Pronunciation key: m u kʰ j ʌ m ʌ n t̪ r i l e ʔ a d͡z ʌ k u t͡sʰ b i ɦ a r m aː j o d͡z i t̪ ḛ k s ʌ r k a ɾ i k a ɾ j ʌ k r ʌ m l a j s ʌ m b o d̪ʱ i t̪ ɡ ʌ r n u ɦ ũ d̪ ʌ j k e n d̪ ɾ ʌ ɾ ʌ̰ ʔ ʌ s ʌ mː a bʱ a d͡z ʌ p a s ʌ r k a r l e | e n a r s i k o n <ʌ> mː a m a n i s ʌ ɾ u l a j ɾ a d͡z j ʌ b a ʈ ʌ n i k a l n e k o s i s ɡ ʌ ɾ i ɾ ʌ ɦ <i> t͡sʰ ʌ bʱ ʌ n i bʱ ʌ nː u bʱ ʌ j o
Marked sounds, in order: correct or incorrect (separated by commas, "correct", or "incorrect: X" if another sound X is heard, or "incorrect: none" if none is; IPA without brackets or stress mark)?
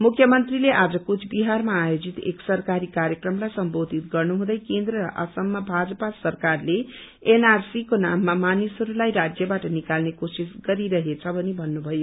incorrect: a, incorrect: e